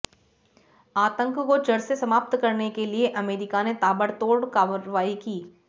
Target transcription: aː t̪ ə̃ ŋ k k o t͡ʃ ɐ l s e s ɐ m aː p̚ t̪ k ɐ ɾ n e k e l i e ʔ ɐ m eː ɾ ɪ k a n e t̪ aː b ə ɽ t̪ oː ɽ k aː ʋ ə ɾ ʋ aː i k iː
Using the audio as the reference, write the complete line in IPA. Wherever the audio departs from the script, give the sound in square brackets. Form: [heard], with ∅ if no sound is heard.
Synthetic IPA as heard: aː t̪ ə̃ ŋ k k o t͡ʃ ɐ [ɽ] s e s ɐ m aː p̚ t̪ k ɐ ɾ n e k e l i e ʔ ɐ m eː ɾ ɪ k a n e t̪ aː b ə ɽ t̪ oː ɽ k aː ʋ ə ɾ ʋ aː i k iː